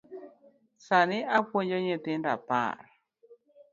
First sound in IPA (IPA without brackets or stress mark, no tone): s